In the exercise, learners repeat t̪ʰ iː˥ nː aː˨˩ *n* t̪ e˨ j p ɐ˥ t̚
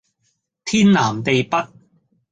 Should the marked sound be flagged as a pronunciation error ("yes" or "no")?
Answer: yes